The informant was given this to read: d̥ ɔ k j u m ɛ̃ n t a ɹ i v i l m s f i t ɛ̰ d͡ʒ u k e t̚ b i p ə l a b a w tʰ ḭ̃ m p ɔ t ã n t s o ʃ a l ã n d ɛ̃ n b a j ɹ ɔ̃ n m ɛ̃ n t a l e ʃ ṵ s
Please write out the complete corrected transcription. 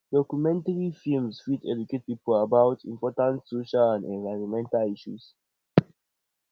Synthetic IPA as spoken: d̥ ɔ k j u m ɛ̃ n t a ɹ i f i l m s f i t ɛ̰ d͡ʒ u k e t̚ p i p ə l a b a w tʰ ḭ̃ m p ɔ t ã n t s o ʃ a l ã n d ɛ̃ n v a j ɹ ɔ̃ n m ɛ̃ n t a l i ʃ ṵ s